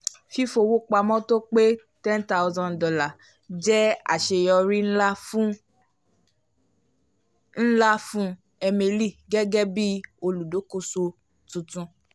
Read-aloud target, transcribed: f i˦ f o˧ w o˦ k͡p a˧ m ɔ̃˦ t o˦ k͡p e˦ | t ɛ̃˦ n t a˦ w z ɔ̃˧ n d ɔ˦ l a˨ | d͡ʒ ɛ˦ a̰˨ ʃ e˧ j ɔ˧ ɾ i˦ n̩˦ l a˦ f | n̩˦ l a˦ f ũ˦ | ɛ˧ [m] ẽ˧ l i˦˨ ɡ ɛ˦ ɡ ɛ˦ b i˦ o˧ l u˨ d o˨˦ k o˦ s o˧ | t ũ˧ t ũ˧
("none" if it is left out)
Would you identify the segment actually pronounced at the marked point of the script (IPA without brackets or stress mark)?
m